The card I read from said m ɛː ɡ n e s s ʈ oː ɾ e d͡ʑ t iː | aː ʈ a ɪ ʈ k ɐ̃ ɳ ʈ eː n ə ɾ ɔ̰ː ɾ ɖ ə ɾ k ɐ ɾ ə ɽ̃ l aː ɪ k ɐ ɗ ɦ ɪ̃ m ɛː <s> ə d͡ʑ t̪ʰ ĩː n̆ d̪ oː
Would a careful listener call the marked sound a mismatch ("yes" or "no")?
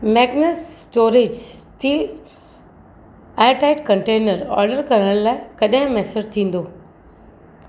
no